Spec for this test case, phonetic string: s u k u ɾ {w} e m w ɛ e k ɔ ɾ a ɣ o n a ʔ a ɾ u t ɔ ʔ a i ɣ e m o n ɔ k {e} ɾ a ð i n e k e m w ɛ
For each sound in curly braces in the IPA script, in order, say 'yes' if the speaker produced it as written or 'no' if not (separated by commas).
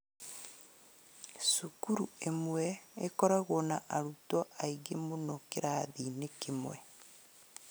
no, yes